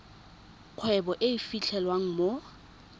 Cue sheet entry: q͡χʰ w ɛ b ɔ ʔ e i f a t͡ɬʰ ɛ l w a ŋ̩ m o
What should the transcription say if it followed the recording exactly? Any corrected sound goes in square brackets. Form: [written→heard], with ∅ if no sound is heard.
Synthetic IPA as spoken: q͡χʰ w ɛ b ɔ ʔ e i f [a→i] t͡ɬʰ ɛ l w a ŋ̩ m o